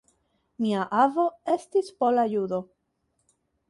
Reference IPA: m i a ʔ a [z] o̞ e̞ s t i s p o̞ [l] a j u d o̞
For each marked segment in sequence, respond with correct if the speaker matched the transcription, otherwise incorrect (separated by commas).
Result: incorrect, correct